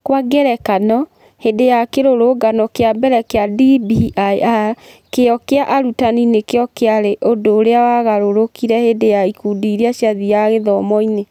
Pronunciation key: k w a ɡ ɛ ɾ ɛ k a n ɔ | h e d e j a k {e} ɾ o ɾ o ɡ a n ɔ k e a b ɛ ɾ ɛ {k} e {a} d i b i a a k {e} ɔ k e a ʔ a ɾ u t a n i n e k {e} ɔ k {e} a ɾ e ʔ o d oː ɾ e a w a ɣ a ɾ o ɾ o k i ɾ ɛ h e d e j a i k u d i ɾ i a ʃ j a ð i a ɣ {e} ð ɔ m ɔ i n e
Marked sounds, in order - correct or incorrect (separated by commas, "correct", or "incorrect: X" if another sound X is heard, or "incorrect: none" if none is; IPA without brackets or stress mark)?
correct, correct, correct, correct, correct, correct, correct